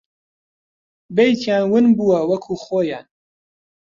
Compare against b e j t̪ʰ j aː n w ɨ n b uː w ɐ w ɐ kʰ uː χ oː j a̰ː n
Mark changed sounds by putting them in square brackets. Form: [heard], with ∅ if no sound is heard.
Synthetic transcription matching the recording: b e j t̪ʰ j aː n w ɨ n b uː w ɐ w ɐ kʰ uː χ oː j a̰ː n